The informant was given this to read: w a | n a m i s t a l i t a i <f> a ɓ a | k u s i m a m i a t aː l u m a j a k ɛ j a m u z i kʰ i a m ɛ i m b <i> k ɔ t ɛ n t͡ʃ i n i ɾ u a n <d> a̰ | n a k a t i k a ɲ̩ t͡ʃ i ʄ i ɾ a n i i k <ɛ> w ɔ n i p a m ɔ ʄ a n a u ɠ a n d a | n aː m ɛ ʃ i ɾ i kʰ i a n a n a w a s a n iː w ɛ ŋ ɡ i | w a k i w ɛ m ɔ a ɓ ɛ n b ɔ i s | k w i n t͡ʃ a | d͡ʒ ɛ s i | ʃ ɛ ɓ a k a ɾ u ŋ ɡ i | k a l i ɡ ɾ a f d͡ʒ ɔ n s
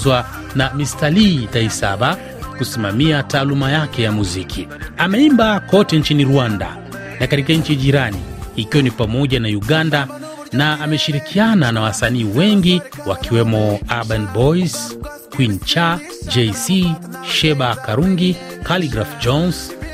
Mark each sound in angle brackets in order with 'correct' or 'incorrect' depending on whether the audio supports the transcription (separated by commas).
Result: incorrect, incorrect, correct, incorrect